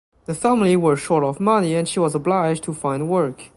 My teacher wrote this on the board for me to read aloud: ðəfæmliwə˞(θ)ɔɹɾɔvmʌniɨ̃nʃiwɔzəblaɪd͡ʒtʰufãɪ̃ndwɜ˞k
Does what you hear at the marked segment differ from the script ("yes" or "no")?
yes